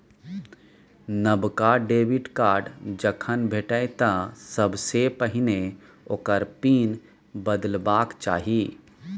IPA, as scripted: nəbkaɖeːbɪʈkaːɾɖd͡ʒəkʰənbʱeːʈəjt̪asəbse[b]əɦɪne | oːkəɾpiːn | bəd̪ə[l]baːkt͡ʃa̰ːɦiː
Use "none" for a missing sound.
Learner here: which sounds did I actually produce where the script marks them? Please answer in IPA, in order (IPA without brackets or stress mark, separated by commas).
p, l